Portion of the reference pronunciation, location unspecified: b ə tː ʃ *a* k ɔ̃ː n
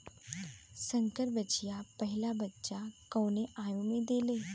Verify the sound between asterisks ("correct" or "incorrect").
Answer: correct